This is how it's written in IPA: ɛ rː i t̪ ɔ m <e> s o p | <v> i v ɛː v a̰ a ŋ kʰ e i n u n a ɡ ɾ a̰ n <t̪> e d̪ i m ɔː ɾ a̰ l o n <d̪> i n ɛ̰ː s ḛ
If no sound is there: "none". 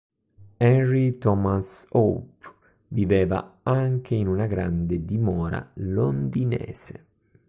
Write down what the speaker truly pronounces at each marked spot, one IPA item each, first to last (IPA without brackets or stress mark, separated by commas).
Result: a, v, d̪, d̪